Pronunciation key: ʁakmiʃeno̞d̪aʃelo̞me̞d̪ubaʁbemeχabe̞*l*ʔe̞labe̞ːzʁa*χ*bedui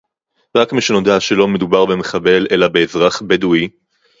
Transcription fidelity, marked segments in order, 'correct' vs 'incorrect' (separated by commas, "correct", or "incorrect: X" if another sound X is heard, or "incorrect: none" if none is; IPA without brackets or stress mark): correct, correct